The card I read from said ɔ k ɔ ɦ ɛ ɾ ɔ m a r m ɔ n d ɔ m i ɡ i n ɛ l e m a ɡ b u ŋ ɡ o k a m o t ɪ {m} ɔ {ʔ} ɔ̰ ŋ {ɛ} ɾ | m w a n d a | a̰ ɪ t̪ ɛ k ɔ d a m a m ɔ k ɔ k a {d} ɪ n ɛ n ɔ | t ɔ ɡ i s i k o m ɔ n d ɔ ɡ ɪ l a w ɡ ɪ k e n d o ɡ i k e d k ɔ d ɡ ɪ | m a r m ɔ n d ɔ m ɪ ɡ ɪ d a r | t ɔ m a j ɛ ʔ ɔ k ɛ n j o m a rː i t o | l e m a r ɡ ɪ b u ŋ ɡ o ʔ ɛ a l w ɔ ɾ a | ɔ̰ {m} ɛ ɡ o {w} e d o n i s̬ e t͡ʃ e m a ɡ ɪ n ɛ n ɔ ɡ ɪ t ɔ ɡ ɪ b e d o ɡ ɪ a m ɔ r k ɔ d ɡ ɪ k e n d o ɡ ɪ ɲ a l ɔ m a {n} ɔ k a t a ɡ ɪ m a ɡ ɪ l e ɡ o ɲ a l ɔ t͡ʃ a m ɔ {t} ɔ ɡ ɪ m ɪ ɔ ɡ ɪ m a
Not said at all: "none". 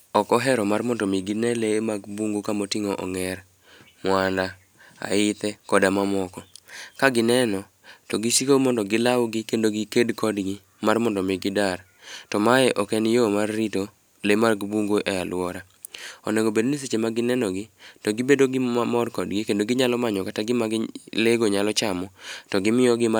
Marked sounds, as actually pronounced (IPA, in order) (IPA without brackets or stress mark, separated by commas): ŋ, ʔ, ɛ, ɡ, n, b, ɲ, t